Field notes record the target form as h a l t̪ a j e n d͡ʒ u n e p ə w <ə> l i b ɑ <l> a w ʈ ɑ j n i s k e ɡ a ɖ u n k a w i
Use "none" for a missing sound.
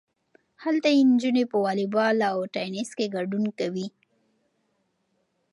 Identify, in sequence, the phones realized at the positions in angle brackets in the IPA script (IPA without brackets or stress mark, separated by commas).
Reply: ɑ, l